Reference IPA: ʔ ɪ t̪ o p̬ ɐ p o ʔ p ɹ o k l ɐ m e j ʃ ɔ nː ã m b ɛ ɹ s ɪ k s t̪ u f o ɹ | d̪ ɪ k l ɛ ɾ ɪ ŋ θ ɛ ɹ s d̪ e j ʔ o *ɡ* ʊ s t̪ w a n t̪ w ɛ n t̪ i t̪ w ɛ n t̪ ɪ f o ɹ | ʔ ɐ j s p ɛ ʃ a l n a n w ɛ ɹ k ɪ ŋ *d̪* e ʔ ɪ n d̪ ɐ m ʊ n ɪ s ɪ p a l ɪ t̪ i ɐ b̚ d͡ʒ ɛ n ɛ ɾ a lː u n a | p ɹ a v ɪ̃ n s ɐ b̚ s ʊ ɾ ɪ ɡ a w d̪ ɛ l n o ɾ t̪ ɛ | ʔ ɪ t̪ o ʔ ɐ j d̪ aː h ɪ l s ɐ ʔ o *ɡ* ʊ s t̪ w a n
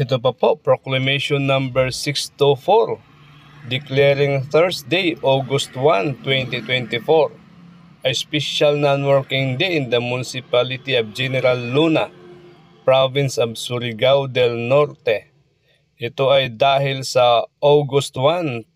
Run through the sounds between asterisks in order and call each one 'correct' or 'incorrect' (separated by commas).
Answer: correct, correct, correct